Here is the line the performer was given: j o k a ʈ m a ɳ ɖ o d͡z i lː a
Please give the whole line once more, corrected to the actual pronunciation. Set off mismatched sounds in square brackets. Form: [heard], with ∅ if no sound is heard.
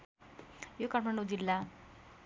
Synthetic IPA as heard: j o k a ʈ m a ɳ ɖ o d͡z i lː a